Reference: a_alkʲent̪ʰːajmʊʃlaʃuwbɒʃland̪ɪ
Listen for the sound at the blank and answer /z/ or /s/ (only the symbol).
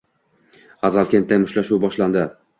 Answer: z